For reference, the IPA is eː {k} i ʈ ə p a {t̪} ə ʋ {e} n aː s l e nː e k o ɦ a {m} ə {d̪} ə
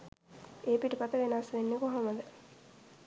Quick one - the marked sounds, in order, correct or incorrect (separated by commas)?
incorrect, correct, correct, correct, correct